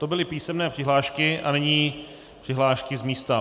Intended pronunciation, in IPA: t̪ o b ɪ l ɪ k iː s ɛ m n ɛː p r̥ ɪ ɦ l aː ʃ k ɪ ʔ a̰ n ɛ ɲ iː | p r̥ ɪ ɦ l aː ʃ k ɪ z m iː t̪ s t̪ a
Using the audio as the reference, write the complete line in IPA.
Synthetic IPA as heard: t̪ o b ɪ l ɪ p iː s ɛ m n ɛː p r̥ ɪ ɦ l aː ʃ k ɪ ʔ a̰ n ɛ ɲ iː | p r̥ ɪ ɦ l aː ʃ k ɪ z m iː s t̪ a